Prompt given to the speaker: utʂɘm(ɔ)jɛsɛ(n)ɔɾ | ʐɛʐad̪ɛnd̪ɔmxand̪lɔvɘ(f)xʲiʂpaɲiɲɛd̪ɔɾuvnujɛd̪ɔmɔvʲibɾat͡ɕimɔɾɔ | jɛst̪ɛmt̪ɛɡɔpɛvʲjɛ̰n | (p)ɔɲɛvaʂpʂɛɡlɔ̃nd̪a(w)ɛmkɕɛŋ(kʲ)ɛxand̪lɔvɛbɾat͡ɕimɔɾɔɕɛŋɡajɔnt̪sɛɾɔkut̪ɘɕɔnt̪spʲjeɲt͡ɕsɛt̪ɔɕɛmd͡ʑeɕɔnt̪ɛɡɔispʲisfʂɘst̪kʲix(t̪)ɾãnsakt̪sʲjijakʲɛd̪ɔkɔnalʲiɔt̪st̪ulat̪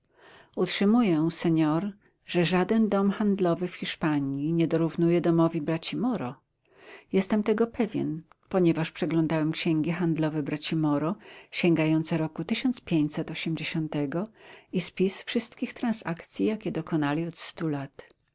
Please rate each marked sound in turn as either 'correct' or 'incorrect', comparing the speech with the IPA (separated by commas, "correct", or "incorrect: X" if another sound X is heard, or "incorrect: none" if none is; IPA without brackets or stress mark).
incorrect: u, incorrect: ɲ, correct, correct, correct, incorrect: ɡʲ, correct